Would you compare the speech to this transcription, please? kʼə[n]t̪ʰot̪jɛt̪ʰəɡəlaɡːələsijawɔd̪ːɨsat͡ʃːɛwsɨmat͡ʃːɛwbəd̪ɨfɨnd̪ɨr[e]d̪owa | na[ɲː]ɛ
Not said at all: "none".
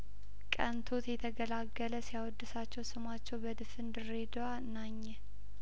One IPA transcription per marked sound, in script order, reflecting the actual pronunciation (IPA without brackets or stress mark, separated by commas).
n, e, ɲː